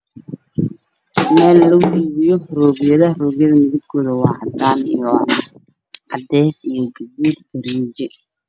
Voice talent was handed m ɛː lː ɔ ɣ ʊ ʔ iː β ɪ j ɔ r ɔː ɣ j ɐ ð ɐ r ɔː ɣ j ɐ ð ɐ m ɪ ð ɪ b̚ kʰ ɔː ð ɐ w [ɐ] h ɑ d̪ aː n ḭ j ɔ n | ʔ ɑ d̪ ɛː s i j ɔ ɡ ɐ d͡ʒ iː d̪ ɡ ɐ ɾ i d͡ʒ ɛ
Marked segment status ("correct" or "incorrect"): incorrect